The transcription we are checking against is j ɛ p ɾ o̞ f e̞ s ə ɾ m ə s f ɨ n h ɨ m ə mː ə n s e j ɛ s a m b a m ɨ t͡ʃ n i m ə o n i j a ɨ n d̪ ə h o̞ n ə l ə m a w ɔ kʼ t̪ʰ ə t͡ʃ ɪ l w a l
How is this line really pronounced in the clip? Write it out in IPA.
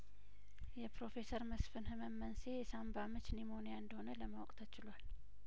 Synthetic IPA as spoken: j ɛ p ɾ o̞ f e̞ s ə ɾ m ə s f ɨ n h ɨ m ə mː ə n s e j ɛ s a m b a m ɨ t͡ʃ n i m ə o n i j a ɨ n d̪ ə h o̞ n ə l ə m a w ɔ kʼ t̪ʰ ə t͡ʃ ɪ l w a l